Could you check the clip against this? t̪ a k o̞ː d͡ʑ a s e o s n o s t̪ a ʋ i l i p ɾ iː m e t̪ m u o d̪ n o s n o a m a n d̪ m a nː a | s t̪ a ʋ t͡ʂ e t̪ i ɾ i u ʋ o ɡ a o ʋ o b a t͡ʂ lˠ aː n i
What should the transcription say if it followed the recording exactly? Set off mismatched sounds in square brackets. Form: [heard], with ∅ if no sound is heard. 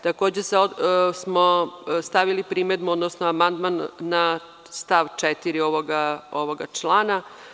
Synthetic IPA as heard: t̪ a k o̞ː d͡ʑ [e] s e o s [m] o s t̪ a ʋ i l i p ɾ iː m e [d̪] m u o d̪ n o s n o a m a n d̪ m a nː a | s t̪ a ʋ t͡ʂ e t̪ i ɾ i [o] ʋ o ɡ a o ʋ o [ɡ] a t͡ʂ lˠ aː n [a]